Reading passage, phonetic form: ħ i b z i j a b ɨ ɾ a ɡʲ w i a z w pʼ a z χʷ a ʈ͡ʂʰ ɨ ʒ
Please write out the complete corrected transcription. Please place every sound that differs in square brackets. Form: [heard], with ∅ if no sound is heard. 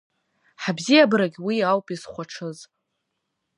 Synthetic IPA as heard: ħ [a] b z i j a b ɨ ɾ a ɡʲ w i a [∅] w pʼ [i] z χʷ a ʈ͡ʂʰ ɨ [z]